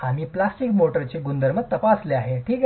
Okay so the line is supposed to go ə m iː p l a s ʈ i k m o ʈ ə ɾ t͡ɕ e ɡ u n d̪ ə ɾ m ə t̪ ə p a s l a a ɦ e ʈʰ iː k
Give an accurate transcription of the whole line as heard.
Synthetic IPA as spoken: a m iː p l a s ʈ i k m o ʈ ə ɾ t͡ɕ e ɡ u n d̪ ə ɾ m ə t̪ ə p a s l e a ɦ e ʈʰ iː k